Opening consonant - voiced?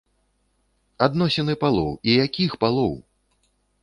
yes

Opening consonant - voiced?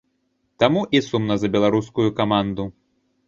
no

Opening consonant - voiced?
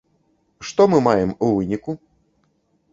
no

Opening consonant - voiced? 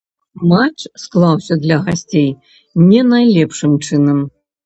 yes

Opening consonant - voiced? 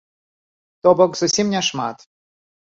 no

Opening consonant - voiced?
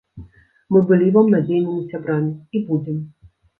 yes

